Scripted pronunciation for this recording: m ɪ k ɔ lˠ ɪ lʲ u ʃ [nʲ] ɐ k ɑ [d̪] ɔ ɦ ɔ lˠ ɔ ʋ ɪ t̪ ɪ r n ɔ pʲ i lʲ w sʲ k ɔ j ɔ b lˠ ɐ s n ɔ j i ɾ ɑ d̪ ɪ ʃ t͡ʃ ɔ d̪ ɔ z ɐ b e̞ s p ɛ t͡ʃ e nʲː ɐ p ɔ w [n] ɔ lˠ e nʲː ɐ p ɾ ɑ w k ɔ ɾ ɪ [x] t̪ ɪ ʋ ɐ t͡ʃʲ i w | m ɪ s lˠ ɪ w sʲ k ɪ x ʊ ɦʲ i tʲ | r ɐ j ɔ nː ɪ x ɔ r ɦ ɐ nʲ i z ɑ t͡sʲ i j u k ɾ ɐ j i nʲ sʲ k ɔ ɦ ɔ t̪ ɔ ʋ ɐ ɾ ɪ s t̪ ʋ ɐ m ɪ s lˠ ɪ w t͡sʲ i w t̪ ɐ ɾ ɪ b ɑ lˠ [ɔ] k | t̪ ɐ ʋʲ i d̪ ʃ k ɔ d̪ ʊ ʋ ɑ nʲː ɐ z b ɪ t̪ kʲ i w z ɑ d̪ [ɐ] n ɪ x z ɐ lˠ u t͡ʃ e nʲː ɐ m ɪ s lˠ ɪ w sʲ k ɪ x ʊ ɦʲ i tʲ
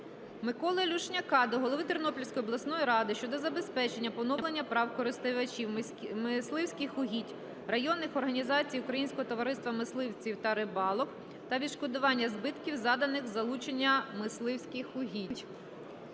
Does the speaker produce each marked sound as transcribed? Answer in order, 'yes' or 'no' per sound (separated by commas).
yes, yes, yes, no, yes, yes